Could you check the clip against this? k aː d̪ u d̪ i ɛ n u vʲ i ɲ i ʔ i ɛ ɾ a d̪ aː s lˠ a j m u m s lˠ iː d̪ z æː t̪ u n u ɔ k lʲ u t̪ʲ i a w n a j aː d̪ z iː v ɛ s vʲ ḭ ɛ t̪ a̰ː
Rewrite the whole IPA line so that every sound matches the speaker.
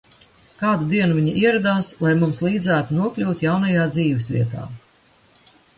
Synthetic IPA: k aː d̪ u d̪ i ɛ n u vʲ i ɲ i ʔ i ɛ ɾ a d̪ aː s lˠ a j m u m s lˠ iː d̪ z æː t̪ u n u ɔ k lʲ uː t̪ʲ j a w n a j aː d̪ z iː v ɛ s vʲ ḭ ɛ t̪ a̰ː

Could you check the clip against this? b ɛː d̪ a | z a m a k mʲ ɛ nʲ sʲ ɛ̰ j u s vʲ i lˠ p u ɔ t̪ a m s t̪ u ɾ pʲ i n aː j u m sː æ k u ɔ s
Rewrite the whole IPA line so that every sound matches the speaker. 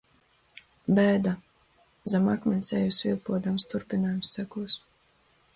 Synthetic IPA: b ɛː d̪ a | z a m a k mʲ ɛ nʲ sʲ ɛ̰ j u s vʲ i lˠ p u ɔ d̪ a m s t̪ u ɾ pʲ i n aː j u m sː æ k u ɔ s

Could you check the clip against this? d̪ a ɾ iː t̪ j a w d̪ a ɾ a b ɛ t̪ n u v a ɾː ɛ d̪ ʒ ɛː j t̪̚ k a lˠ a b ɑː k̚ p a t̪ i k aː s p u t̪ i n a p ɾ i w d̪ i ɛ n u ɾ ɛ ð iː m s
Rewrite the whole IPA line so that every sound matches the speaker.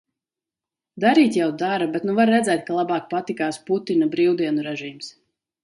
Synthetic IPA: d̪ a ɾ iː t̪ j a w d̪ a ɾ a b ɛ t̪ n u v a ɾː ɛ d̪ z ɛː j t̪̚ k a lˠ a b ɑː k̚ p a t̪ i k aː s p u t̪ i n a b ɾ i w d̪ i ɛ n u ɾ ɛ ʒ iː m s

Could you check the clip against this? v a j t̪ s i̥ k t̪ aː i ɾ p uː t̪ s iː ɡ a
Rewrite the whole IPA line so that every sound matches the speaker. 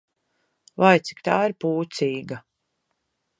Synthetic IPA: v a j t̪ s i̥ k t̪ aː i ɾ p uː t̪ s iː ɡ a

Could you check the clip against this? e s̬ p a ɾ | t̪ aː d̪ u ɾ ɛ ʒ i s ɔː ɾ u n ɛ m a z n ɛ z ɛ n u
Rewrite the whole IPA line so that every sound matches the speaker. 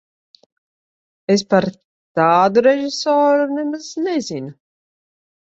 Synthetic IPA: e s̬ p a ɾ | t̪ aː d̪ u ɾ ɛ ʒ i s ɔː ɾ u n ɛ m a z n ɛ z i n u

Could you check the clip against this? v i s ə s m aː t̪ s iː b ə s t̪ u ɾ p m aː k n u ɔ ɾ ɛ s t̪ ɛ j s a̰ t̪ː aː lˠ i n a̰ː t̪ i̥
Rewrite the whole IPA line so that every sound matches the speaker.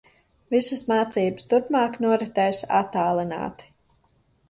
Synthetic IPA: v i s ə s m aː t̪ s iː b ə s t̪ u ɾ p m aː k n u ɔ ɾ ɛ t̪ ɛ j s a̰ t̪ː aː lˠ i n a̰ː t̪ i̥

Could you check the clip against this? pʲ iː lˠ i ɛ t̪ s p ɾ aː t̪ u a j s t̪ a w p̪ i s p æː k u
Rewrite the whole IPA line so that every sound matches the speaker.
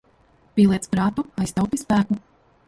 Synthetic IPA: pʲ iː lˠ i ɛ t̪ s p ɾ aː t̪ u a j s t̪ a w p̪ i s p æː k u

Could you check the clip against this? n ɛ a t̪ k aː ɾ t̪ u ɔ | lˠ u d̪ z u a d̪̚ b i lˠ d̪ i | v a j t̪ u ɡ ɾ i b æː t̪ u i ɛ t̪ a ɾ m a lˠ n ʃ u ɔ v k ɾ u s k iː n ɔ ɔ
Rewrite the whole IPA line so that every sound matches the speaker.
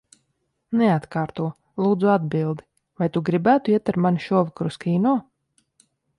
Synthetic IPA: n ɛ a t̪ k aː ɾ t̪ u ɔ | lˠ uː d̪ z u a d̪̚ b i lˠ d̪ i | v a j t̪ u ɡ ɾ i b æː t̪ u i ɛ t̪ a ɾ m a n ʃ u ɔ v k ɾ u s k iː n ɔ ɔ

